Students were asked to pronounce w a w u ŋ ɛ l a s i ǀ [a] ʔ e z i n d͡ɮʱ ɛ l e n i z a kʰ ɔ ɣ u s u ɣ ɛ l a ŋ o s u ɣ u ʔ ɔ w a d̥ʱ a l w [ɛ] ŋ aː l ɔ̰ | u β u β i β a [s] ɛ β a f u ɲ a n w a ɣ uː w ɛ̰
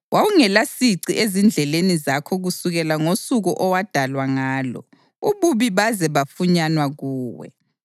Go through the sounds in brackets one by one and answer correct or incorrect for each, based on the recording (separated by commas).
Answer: incorrect, incorrect, incorrect